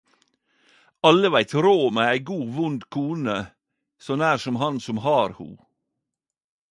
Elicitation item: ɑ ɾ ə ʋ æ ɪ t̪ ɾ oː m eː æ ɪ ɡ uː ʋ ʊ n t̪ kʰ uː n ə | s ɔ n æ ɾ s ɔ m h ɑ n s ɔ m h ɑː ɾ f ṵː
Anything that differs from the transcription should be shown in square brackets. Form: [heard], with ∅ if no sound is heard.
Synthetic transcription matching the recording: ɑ [l] ə ʋ æ ɪ t̪ ɾ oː m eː æ ɪ ɡ uː ʋ ʊ n [d̪] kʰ uː n ə | s ɔ n [æː] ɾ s ɔ m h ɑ n s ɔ m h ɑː ɾ [h] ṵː